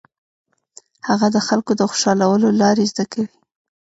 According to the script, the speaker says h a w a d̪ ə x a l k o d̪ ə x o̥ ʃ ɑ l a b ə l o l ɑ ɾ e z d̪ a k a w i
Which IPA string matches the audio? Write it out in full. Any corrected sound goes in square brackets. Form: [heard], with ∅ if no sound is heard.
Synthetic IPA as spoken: h a [ɣ] a d̪ ə x a l k o d̪ ə x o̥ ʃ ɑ l a [w] ə l o l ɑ ɾ e z d̪ a k a w i